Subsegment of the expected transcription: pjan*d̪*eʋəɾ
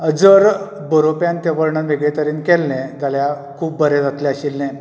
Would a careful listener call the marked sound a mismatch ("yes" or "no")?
yes